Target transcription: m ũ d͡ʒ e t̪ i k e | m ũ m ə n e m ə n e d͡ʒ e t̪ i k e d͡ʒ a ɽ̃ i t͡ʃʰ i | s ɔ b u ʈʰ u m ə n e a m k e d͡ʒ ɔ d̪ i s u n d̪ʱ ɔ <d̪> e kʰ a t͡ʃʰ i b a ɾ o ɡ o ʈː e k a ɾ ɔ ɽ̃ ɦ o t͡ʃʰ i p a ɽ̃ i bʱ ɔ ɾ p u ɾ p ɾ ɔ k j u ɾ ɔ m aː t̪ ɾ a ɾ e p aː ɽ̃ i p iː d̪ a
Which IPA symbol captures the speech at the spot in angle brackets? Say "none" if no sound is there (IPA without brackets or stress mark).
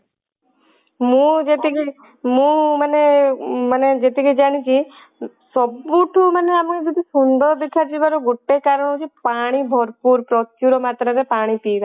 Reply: d̪